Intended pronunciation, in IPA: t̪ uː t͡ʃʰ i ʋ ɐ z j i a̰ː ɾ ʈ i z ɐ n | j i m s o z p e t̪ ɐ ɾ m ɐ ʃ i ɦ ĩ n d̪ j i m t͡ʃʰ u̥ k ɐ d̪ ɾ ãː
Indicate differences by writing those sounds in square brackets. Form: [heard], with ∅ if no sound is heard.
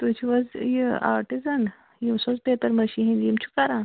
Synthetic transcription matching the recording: t̪ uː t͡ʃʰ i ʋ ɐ z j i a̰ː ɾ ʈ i z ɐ n | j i m s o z p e t̪ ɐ ɾ m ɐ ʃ i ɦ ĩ n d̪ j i m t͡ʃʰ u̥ k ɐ [∅] ɾ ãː